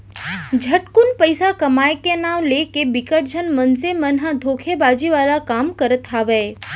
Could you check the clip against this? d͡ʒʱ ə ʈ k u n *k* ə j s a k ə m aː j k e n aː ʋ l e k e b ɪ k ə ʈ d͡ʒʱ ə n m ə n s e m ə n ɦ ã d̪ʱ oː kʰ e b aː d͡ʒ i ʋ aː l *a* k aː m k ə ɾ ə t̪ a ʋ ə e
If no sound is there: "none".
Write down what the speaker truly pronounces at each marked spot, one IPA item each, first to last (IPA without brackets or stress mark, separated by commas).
p, a